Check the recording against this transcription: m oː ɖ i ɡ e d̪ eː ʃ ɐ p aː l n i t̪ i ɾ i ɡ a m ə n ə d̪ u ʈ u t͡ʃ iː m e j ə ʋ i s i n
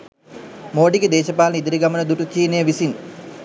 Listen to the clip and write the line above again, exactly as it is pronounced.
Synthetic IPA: m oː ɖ i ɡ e d̪ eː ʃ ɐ p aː l n i d̪ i ɾ i ɡ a m ə n ə d̪ u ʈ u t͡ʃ iː n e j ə ʋ i s i n